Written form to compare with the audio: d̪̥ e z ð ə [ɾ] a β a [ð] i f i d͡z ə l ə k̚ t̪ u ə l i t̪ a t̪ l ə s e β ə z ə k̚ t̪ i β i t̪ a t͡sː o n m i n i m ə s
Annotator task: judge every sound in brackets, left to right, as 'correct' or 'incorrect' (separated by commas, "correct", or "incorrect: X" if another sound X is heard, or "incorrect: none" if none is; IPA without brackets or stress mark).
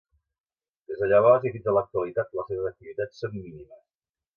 incorrect: ʎ, incorrect: z